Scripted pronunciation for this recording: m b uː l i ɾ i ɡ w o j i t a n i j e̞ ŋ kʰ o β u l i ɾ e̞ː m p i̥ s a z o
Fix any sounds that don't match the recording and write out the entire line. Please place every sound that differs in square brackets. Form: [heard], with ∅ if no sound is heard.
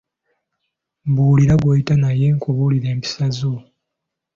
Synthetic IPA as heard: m b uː l i ɾ [a] ɡ w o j i t a n [a] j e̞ ŋ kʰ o β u l i ɾ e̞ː m p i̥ s a z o